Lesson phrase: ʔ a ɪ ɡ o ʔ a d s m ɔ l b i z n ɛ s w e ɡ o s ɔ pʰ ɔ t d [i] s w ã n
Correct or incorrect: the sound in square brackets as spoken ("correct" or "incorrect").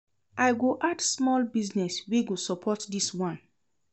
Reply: correct